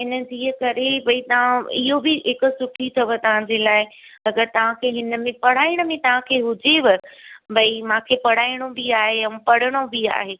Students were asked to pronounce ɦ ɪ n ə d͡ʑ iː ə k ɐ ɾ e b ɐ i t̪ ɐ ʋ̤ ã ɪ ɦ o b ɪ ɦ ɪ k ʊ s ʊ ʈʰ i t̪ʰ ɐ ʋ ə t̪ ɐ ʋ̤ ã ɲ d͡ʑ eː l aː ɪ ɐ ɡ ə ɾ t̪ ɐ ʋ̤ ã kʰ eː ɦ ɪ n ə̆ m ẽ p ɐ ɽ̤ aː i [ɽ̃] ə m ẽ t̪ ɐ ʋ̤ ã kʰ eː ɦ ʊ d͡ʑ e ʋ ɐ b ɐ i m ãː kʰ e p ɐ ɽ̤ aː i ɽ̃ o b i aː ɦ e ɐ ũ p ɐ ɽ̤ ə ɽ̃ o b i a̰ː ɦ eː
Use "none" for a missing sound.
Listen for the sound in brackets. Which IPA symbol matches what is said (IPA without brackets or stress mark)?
ɽ̃